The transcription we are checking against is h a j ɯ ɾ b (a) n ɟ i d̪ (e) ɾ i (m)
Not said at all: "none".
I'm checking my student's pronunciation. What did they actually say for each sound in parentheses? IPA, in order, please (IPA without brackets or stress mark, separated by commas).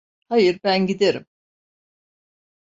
æ, e, m